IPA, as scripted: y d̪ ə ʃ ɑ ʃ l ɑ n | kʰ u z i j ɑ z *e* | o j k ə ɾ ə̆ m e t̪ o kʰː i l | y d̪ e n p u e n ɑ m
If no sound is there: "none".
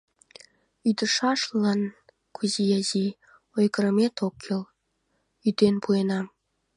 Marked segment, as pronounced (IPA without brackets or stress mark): i